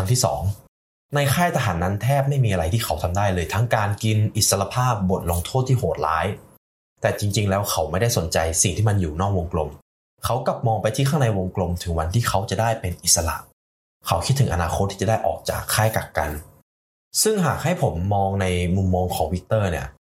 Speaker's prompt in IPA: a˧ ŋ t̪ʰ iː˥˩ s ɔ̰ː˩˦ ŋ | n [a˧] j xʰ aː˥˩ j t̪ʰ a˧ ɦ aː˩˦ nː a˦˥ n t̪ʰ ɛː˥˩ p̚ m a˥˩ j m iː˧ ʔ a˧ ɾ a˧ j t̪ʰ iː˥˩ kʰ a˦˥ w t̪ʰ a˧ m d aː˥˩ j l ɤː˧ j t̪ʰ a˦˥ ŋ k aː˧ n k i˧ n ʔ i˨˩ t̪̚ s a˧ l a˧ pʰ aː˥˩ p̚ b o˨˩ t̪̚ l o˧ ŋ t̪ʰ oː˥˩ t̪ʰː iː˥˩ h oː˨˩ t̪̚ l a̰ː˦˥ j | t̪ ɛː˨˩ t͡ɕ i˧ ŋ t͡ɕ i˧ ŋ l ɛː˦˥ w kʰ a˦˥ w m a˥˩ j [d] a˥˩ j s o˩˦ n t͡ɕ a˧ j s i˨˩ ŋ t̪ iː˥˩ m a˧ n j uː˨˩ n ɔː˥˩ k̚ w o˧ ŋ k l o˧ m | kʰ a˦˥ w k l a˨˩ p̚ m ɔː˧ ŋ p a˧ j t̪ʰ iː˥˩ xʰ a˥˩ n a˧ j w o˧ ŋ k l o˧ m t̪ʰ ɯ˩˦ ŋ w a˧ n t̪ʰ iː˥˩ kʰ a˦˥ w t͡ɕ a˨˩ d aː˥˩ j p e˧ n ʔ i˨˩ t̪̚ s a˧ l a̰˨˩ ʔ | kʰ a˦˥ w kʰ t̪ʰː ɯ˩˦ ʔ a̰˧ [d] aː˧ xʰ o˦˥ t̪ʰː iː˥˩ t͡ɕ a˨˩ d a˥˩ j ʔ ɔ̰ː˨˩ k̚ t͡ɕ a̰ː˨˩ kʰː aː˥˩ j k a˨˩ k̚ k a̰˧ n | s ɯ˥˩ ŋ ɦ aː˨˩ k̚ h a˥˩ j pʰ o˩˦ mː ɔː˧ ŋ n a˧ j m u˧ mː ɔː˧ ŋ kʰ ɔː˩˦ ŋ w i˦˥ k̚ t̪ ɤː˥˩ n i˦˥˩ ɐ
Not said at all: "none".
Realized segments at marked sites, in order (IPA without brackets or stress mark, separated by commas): a˧, d, n